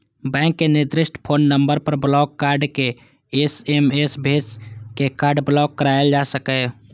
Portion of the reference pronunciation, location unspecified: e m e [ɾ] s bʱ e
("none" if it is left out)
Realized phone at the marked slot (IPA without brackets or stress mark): none